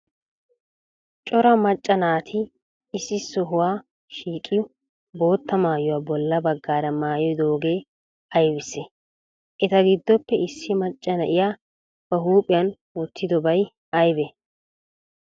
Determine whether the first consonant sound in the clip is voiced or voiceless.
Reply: voiceless